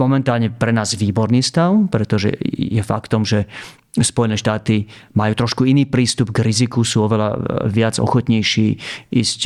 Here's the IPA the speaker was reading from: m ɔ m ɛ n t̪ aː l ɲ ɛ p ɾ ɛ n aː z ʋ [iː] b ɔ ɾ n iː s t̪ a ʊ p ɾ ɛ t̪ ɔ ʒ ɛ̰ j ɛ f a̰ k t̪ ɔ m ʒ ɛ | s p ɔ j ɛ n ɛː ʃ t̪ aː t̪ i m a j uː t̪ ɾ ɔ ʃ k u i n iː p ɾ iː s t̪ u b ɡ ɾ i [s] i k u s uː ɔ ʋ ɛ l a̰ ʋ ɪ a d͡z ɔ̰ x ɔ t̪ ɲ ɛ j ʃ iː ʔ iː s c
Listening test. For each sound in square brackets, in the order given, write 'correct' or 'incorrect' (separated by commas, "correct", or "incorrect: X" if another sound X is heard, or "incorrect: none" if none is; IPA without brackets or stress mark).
correct, incorrect: z